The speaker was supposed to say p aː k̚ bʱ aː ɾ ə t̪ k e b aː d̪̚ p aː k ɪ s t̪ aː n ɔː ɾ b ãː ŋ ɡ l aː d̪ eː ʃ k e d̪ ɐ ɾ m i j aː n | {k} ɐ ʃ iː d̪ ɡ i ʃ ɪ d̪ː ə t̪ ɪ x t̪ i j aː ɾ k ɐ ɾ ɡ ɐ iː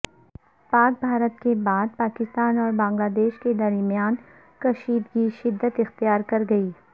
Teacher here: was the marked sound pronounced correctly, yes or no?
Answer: yes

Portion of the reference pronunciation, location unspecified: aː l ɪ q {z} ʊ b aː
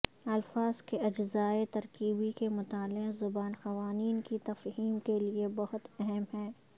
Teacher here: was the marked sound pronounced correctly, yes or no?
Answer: yes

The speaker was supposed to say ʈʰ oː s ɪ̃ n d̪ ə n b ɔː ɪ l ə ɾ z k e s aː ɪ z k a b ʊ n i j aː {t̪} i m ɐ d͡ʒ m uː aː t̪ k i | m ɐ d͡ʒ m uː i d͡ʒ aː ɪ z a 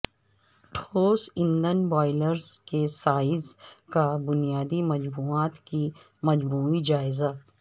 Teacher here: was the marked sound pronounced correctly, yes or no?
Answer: no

